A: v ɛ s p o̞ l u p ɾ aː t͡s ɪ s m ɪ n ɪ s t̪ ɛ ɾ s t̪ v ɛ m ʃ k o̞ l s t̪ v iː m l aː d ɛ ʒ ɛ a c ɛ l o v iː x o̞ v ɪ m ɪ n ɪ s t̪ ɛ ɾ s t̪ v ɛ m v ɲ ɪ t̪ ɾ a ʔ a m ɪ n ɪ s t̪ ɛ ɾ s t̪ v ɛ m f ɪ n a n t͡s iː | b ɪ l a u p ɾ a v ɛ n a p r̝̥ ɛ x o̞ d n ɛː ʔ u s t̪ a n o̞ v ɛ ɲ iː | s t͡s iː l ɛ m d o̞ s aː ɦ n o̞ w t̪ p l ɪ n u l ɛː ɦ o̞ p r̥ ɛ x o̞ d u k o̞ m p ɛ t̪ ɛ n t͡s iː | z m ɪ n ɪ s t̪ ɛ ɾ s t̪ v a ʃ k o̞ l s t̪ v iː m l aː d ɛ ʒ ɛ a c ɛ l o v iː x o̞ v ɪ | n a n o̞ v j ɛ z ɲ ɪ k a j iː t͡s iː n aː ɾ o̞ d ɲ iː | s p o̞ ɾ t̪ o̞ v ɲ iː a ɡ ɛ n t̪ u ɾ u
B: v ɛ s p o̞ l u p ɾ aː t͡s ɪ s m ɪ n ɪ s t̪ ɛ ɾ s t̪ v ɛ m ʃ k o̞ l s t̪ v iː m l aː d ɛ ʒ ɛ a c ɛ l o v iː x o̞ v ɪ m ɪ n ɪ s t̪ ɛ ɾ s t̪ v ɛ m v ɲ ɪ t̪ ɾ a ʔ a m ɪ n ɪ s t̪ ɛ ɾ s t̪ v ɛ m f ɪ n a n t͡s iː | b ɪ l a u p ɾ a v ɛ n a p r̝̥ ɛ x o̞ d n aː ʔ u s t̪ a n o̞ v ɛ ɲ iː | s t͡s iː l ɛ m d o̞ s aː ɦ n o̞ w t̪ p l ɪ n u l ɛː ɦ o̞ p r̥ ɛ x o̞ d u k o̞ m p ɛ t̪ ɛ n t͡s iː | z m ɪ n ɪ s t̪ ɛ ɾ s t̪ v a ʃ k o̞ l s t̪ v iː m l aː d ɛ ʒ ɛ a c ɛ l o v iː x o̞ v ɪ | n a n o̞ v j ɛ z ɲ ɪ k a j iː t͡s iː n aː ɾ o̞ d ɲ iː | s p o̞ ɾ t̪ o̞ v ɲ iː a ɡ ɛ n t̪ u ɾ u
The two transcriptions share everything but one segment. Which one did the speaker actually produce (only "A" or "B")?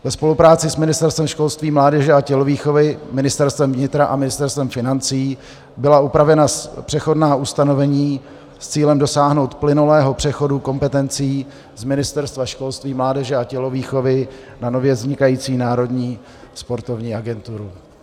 B